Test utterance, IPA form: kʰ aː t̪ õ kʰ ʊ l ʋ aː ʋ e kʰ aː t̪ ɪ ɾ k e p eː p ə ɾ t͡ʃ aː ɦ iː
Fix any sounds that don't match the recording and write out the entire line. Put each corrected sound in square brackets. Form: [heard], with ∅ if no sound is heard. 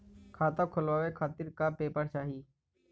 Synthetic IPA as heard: kʰ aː t̪ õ kʰ ʊ l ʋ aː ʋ e kʰ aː t̪ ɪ ɾ k [a] p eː p ə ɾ t͡ʃ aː ɦ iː